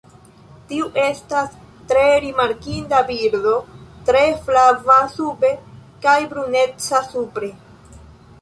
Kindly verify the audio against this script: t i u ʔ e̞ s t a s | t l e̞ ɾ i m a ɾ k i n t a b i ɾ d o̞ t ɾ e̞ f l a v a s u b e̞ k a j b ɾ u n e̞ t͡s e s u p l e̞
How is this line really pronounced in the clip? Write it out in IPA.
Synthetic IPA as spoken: t i u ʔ e̞ s t a s | t ɾ e̞ ɾ i m a ɾ k i n d a b i ɾ d o̞ t ɾ e̞ f l a v a s u b e̞ k a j b ɾ u n e̞ t͡s a s u p ɾ e̞